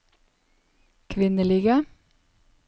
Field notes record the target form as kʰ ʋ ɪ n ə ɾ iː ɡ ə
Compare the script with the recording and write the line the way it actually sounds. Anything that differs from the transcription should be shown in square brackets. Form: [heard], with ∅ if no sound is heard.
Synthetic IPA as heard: kʰ ʋ ɪ n ə [l] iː ɡ ə